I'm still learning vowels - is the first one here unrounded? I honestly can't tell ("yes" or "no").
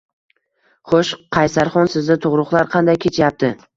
no